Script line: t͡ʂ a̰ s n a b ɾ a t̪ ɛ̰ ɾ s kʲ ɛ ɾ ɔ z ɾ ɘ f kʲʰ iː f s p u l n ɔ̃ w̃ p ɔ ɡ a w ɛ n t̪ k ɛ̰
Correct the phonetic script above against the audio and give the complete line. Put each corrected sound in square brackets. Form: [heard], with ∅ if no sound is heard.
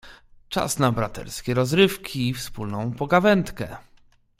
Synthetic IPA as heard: t͡ʂ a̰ s n a b ɾ a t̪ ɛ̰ ɾ s kʲ ɛ ɾ ɔ z ɾ ɘ f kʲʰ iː f s p u l n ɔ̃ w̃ p ɔ ɡ a [v] ɛ n t̪ k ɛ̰